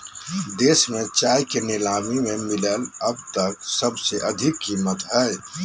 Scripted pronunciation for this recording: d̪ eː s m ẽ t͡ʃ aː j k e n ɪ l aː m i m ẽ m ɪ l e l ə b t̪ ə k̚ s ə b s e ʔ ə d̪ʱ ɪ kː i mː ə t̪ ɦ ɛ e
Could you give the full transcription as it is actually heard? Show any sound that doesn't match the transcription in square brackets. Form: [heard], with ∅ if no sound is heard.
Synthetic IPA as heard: d̪ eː s m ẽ t͡ʃ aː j k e n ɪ l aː m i m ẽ m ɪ l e l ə b t̪ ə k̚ s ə b s e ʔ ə d̪ʱ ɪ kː i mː ə t̪ ɦ ɛ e